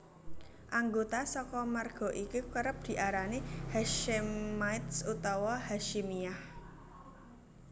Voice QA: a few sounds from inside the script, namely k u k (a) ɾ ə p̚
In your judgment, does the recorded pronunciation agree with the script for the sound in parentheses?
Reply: no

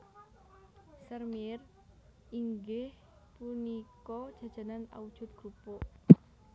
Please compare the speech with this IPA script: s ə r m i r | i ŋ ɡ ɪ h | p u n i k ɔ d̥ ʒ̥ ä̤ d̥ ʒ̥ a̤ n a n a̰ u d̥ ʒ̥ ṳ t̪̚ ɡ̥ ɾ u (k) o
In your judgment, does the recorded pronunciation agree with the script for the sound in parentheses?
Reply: no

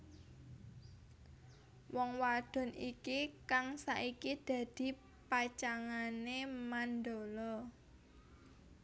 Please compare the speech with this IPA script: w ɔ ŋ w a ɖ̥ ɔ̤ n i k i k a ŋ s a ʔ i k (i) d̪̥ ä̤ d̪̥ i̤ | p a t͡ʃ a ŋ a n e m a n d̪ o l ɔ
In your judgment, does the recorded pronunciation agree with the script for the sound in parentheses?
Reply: yes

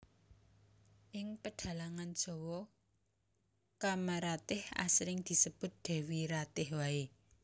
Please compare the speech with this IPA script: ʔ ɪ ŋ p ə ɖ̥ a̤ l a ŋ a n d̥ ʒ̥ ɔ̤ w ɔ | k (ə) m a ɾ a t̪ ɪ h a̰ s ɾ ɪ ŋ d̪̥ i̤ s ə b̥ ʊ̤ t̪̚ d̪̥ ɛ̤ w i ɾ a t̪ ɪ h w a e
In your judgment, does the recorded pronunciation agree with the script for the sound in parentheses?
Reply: no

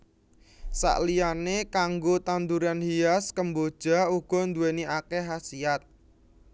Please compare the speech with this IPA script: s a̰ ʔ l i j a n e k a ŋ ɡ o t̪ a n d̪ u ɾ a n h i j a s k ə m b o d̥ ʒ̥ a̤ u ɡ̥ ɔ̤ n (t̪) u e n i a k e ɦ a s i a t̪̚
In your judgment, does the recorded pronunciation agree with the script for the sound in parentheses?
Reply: no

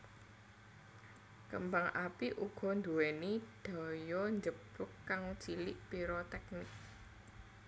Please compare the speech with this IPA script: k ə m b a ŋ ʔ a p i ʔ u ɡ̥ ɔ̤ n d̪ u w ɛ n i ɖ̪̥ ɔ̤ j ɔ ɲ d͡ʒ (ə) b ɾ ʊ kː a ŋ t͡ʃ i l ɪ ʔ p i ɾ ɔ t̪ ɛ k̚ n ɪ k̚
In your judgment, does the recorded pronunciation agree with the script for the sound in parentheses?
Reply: yes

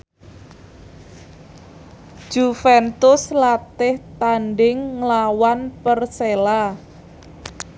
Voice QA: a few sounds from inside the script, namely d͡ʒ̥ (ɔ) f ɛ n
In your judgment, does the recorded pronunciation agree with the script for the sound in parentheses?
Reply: no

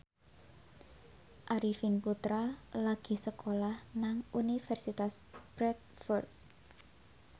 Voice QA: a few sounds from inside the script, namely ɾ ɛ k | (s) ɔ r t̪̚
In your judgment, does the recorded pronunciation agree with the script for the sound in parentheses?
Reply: no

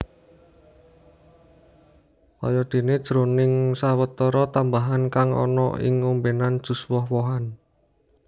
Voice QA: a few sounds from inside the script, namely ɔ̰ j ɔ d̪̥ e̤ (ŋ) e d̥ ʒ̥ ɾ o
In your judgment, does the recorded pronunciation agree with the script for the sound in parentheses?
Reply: no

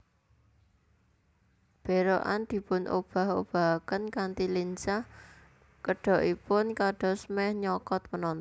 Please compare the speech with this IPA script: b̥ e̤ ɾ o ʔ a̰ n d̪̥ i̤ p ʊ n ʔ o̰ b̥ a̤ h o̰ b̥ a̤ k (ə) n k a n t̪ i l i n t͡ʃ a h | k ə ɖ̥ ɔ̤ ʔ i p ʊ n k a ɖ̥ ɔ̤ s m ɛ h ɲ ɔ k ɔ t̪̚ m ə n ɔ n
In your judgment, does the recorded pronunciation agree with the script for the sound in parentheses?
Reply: yes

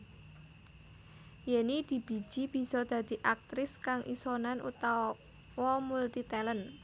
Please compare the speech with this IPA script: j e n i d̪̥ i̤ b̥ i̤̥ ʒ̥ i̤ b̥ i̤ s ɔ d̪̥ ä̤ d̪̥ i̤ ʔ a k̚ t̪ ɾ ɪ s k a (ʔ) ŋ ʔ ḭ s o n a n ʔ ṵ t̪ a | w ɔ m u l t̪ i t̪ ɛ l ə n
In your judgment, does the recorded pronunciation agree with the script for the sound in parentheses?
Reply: no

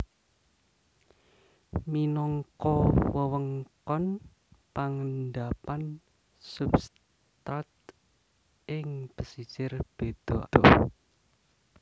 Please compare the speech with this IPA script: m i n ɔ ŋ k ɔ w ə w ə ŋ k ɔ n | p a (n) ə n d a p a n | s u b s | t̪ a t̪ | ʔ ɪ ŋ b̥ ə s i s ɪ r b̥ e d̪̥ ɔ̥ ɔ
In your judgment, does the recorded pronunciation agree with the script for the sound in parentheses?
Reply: no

